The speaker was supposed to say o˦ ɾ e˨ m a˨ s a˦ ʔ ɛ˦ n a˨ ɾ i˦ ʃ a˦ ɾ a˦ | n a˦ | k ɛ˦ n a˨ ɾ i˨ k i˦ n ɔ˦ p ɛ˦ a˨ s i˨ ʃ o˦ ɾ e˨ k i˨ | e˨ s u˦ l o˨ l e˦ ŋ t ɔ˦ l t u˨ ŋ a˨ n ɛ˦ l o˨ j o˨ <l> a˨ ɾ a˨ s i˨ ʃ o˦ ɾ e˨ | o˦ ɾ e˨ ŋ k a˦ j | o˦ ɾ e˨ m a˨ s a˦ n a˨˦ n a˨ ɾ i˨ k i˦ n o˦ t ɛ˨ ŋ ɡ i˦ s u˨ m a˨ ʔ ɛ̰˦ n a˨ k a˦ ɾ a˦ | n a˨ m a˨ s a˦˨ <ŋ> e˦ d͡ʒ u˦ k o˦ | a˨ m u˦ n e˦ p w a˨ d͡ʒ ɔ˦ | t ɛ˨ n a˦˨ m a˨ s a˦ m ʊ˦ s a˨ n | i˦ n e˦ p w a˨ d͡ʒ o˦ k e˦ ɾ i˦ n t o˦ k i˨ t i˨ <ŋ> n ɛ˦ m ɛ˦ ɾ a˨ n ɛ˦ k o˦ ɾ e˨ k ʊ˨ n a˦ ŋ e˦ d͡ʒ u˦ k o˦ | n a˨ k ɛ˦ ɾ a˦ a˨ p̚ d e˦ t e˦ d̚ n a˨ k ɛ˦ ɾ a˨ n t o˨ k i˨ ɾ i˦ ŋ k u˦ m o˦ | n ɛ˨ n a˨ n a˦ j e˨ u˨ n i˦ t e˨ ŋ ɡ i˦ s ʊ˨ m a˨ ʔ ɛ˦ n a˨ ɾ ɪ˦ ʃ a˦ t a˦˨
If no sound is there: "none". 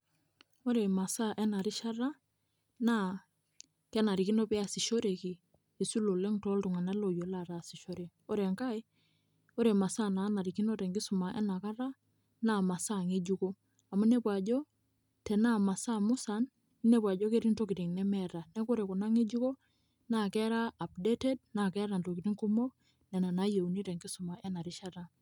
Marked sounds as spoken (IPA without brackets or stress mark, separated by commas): l, ŋ, ŋ